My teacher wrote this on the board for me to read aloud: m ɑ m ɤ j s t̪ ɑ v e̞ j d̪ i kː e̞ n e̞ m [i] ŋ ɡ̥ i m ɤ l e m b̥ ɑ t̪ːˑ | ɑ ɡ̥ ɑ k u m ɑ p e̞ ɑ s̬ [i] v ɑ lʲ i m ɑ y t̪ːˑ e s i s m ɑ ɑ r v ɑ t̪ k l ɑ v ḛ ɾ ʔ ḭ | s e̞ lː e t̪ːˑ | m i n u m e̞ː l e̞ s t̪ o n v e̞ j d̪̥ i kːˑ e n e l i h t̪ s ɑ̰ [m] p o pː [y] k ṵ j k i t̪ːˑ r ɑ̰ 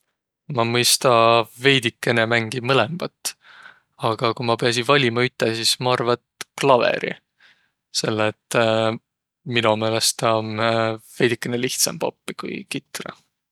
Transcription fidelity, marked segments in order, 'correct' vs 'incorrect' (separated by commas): incorrect, correct, correct, incorrect